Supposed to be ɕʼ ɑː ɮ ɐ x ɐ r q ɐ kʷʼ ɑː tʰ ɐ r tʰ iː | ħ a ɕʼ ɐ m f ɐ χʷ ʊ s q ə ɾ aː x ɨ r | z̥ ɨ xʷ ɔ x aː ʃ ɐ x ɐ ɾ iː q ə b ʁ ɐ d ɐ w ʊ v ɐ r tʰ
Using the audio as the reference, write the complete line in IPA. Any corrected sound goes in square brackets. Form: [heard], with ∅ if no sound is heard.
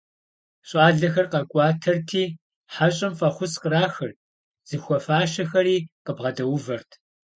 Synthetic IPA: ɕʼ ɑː ɮ ɐ x ɐ r q ɐ kʷʼ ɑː tʰ ɐ r tʰ iː | ħ a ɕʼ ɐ m f ɐ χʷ ʊ s q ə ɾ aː x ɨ r | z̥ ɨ xʷ ɔ [f] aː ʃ ɐ x ɐ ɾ iː q ə b ʁ ɐ d ɐ w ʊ v ɐ r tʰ